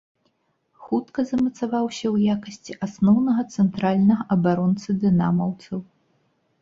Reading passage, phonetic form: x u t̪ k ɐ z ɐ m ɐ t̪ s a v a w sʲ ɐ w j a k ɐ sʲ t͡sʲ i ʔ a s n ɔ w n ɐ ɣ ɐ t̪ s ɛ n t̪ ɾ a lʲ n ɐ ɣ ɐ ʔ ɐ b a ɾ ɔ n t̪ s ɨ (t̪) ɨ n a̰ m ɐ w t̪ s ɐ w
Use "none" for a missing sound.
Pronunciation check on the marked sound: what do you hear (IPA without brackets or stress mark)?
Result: d̪